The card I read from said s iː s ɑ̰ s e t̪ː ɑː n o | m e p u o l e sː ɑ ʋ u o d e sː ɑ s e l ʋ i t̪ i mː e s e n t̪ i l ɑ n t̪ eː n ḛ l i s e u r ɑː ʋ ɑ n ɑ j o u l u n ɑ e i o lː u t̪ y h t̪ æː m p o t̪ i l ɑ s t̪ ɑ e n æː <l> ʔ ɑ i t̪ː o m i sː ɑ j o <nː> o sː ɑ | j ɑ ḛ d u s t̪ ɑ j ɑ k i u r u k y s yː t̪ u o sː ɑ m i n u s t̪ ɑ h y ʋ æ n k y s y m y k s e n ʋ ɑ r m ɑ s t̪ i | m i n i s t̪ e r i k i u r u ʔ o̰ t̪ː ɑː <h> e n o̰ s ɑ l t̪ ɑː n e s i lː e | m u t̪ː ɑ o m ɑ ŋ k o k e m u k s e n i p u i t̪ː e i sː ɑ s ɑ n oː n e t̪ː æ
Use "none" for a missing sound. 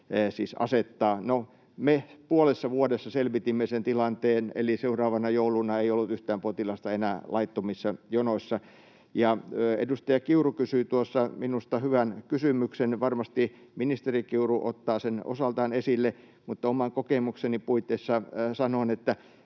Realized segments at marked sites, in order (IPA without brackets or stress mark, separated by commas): l, n, s